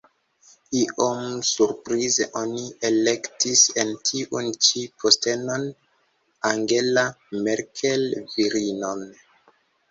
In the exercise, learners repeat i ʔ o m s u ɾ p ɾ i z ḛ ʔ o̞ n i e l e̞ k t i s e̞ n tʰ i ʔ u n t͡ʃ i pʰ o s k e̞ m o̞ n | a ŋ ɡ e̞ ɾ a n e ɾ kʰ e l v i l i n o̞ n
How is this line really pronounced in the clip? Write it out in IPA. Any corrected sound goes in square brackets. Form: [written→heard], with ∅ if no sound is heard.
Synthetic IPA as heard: i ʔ o m s u ɾ p ɾ i z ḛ ʔ o̞ n i e l e̞ k t i s e̞ n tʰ i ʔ u n t͡ʃ i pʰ o s [k→t] e̞ [m→n] o̞ n | a ŋ ɡ e̞ [ɾ→l] a [n→m] e ɾ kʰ e l v i [l→ɾ] i n o̞ n